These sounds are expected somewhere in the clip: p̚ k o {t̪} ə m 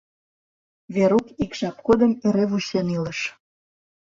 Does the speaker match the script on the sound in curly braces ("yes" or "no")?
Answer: no